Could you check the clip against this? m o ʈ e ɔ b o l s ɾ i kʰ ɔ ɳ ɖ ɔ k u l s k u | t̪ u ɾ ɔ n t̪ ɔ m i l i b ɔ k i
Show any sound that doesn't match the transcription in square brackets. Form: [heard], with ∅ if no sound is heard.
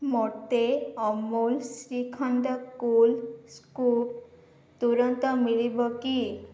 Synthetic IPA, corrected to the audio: m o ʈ e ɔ [m] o l s ɾ i kʰ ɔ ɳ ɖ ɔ k u l s k u | t̪ u ɾ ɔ n t̪ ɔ m i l i b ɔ k i